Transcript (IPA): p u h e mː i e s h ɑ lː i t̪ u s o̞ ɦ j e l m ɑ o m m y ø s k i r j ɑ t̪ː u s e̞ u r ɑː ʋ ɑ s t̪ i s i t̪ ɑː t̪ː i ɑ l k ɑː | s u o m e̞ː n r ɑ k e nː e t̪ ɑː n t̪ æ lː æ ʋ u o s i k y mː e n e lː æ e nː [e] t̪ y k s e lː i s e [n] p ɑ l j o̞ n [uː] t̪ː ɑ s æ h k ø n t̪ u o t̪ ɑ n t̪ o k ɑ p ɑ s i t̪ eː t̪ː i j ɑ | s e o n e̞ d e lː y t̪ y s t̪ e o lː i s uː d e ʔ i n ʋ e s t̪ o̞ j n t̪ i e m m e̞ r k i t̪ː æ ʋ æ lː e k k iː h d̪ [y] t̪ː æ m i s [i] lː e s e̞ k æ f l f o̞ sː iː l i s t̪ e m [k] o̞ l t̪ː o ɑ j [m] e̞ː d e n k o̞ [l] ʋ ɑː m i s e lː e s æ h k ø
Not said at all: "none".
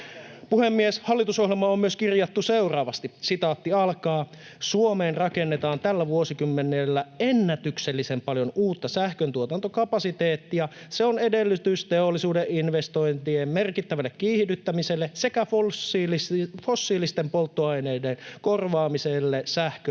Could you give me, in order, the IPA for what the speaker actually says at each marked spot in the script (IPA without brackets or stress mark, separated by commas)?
æ, m, uː, y, e, p, n, r